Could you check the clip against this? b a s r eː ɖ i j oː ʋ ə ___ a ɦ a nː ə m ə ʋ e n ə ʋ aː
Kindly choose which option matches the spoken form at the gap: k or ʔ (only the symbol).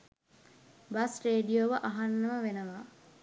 ʔ